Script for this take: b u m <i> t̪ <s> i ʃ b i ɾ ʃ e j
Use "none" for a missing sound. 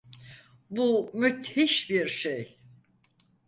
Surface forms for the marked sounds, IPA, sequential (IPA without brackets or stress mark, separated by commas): y, h